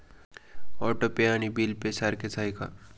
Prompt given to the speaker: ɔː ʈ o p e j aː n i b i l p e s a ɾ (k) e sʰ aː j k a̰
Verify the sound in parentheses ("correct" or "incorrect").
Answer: correct